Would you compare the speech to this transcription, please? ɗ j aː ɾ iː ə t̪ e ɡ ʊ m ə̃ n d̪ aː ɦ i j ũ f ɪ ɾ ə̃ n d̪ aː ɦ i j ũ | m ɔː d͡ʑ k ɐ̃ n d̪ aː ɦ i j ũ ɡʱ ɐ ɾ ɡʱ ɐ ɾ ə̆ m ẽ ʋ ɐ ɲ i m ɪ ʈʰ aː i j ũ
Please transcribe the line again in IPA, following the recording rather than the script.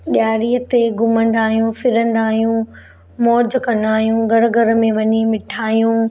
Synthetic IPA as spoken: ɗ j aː ɾ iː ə t̪ e ɡ ʊ m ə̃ n d̪ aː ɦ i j ũ f ɪ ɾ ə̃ n d̪ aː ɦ i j ũ | m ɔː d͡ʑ k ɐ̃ n d̪ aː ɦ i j ũ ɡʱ ɐ ɾ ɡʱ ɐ ɾ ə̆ m ẽ ʋ ɐ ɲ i m ɪ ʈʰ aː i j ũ